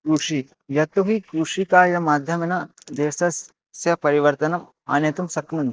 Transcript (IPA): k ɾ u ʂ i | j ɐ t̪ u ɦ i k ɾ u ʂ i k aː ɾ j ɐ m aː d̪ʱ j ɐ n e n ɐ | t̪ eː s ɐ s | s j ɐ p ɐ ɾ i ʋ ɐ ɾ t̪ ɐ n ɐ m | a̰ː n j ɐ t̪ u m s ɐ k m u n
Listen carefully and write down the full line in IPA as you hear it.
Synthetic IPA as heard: k ɾ u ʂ i | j ɐ t̪ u ɦ i k ɾ u ʂ i k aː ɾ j ɐ m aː d̪ʱ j ɐ m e n ɐ | d̪ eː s ɐ s | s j ɐ p ɐ ɾ i ʋ ɐ ɾ t̪ ɐ n ɐ m | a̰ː n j ɐ t̪ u m s ɐ k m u n